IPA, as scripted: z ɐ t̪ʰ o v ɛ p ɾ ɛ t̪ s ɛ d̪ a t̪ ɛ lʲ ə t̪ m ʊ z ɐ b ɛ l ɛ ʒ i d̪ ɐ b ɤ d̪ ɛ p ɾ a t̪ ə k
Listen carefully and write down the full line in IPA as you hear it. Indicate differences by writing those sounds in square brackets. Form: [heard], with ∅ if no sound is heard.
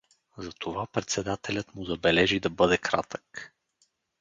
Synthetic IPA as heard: z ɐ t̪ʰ o v [a] p ɾ ɛ t̪ s ɛ d̪ a t̪ ɛ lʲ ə t̪ m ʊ z ɐ b ɛ l ɛ ʒ i d̪ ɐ b ɤ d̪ ɛ [k] ɾ a t̪ ə k